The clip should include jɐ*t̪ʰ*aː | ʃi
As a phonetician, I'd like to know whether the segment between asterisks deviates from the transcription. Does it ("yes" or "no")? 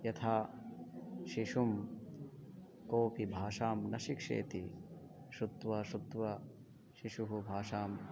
no